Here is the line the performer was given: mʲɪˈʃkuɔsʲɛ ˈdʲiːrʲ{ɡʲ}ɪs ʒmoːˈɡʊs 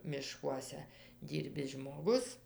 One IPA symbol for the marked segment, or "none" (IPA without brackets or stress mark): bʲ